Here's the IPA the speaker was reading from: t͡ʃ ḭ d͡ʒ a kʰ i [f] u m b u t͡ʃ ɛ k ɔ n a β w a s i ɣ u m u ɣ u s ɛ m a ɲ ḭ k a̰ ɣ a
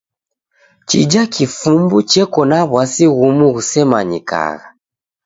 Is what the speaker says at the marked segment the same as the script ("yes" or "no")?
yes